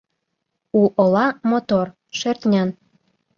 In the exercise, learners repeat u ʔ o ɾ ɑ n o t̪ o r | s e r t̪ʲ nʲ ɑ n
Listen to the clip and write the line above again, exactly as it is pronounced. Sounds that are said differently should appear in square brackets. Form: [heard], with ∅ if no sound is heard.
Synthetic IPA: u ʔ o [l] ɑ [m] o t̪ o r | [ʃ] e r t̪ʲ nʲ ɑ n